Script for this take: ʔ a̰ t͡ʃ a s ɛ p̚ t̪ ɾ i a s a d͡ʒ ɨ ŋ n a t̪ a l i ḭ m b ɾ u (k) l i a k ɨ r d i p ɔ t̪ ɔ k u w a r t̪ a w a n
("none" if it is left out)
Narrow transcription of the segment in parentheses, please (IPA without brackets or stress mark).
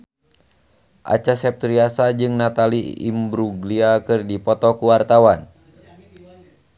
ɡ